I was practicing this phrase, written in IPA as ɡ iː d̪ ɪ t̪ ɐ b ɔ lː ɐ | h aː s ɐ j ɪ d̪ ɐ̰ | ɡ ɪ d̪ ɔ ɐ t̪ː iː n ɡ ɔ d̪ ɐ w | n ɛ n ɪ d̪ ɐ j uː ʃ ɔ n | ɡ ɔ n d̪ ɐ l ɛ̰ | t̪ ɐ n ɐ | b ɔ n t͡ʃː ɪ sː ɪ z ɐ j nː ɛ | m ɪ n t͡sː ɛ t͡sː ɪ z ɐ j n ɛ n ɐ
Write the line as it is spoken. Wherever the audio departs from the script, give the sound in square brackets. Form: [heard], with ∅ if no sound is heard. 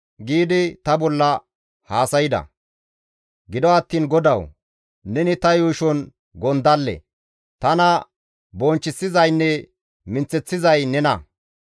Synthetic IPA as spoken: ɡ iː d̪ ɪ t̪ ɐ b ɔ lː ɐ | h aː s ɐ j ɪ d̪ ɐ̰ | ɡ ɪ d̪ ɔ ɐ t̪ː iː n ɡ ɔ d̪ ɐ w | n ɛ n ɪ [t̪] ɐ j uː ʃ ɔ n | ɡ ɔ n d̪ ɐ [lː] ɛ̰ | t̪ ɐ n ɐ | b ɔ n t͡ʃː ɪ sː ɪ z ɐ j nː ɛ | m ɪ n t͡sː ɛ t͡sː ɪ z ɐ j n ɛ n ɐ